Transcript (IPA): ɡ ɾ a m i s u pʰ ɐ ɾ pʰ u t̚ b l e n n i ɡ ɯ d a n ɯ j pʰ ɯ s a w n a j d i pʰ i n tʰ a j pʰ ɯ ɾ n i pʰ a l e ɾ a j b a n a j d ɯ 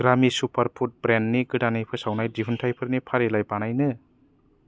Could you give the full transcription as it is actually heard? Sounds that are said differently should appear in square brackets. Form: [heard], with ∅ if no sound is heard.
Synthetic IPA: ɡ ɾ a m i s u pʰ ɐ ɾ pʰ u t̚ b [ɾ] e n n i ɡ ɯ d a n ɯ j pʰ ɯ s a w n a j d i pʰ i n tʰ a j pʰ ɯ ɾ n i pʰ a [ɾ] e [l] a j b a n a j [n] ɯ